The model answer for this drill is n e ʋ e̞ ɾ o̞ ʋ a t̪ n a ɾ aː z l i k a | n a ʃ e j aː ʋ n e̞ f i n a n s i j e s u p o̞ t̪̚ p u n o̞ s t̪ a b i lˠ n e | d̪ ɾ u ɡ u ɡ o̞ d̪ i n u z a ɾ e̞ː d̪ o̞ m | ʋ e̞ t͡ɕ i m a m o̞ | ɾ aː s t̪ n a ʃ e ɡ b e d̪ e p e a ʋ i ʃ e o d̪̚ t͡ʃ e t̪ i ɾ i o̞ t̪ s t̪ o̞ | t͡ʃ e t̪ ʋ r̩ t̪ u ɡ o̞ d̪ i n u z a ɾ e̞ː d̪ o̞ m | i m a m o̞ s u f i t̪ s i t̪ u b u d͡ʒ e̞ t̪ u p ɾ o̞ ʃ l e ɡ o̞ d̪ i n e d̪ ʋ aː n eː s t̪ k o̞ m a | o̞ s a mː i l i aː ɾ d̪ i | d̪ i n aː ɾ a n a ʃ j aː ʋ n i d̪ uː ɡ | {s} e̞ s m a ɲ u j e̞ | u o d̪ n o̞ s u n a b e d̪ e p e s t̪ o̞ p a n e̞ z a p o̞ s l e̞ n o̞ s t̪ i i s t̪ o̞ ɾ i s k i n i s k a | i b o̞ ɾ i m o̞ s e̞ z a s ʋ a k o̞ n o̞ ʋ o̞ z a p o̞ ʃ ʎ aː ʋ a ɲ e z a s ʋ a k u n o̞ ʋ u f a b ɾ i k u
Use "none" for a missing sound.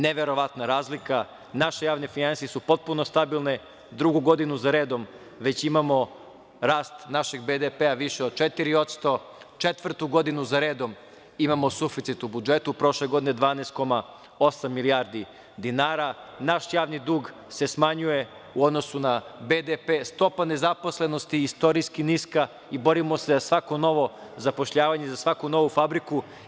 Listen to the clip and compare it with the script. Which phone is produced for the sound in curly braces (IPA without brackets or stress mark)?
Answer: s